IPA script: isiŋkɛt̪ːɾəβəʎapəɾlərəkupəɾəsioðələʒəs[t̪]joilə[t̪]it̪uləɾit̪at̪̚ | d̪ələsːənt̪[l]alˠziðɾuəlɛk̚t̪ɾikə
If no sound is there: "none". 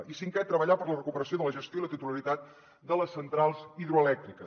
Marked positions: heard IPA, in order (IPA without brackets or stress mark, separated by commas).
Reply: t̪, t̪, ɾ